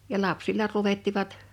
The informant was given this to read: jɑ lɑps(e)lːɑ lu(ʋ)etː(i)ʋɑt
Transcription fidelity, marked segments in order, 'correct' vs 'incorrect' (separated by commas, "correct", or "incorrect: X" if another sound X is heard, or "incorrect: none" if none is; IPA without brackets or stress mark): incorrect: i, correct, correct